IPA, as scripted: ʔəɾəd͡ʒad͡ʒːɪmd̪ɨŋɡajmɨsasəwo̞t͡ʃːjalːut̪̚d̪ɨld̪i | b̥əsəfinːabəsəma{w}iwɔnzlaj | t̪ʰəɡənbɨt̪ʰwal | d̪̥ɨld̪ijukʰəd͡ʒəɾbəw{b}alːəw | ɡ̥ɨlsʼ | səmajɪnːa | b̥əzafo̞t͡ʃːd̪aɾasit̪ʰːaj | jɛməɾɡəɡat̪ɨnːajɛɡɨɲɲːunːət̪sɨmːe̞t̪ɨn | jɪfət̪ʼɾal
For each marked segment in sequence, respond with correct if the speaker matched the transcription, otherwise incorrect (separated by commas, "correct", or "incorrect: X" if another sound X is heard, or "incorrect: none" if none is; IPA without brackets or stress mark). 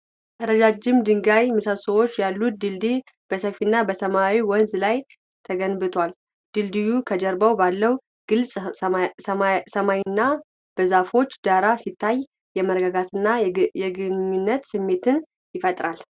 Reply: correct, correct